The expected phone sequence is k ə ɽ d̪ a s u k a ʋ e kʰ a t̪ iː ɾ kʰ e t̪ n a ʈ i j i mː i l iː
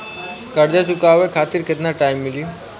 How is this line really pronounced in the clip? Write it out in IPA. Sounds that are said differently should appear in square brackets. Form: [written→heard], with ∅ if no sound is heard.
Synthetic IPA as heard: k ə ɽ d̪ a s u k a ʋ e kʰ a t̪ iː ɾ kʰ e t̪ n a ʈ [i→a] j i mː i l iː